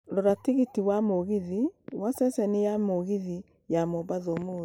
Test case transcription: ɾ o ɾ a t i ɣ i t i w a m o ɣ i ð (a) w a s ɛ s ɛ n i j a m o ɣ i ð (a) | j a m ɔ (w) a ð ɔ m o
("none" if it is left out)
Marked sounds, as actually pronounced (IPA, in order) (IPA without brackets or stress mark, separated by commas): i, i, b